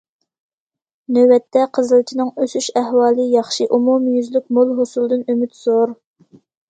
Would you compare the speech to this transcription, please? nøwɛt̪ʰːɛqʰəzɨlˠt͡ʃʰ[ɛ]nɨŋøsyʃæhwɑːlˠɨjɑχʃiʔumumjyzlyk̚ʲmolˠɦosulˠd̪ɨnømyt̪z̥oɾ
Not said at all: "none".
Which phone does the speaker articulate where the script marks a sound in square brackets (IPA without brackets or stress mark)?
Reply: i